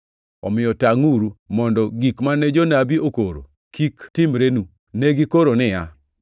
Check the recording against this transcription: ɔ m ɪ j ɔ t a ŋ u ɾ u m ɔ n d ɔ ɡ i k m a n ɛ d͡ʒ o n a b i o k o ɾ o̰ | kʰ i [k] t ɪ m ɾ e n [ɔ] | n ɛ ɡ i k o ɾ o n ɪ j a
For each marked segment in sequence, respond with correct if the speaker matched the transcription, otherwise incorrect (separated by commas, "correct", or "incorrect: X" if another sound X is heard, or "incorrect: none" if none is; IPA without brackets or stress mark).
correct, incorrect: u